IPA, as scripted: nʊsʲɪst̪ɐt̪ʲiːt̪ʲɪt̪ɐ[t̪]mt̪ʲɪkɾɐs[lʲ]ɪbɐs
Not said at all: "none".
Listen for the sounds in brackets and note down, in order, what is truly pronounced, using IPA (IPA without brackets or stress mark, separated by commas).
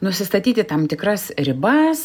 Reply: none, ɾʲ